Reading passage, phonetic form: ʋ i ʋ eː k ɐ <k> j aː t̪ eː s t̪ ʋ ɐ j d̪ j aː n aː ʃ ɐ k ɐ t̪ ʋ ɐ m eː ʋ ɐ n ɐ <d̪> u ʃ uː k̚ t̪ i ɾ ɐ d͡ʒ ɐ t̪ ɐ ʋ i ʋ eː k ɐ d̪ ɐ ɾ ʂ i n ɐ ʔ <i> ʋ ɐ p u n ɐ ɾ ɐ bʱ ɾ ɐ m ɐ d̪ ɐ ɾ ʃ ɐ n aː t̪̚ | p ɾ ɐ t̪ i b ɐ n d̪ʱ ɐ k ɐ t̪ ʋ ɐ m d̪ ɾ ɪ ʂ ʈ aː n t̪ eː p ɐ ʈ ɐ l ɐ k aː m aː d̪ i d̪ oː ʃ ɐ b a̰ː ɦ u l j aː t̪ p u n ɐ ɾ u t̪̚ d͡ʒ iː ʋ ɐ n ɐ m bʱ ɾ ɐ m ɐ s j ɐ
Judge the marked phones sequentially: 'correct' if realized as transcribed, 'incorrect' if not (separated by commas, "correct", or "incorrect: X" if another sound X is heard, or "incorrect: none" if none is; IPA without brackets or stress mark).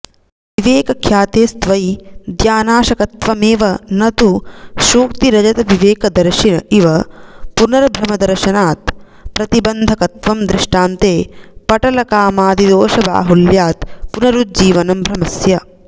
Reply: incorrect: kʰ, incorrect: t̪, correct